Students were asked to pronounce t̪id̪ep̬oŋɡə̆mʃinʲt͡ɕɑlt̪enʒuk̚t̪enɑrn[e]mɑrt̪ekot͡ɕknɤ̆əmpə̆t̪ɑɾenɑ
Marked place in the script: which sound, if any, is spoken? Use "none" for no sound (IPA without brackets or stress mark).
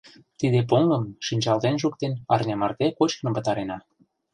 e